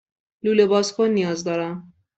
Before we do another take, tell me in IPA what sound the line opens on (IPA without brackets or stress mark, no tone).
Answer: l